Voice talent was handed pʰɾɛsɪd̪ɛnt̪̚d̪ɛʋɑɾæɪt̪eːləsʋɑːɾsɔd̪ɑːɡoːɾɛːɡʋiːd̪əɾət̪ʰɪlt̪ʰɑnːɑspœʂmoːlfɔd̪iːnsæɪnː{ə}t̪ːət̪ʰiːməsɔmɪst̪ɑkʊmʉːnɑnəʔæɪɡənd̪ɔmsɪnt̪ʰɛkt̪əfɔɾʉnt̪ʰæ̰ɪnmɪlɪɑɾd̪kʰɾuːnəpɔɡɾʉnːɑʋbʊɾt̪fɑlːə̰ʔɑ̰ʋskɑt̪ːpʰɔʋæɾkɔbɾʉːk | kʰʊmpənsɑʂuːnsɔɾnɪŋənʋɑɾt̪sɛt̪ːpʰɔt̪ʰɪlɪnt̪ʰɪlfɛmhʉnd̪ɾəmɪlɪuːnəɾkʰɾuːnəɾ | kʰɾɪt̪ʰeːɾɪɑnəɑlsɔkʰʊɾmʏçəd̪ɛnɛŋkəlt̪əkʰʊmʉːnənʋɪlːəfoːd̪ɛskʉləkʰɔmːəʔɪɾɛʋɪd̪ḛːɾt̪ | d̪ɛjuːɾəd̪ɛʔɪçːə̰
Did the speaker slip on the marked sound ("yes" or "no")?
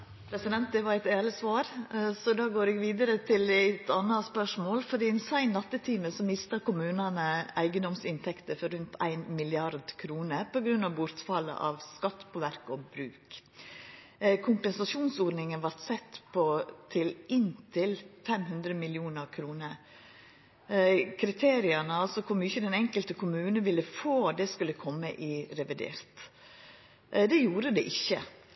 yes